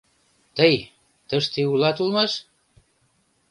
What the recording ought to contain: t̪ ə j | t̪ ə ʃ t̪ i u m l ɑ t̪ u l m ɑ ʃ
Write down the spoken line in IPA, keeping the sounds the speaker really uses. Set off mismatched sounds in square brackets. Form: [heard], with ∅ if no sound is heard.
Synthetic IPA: t̪ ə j | t̪ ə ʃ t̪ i u [∅] l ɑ t̪ u l m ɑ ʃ